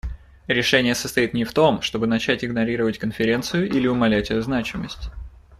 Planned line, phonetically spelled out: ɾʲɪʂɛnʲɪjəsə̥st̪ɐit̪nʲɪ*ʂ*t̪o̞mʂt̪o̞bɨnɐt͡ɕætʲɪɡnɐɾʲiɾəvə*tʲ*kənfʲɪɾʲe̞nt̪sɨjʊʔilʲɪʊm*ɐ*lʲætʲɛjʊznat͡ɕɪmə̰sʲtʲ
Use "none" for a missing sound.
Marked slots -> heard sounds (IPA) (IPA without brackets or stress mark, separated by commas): f, tʲ, ɐ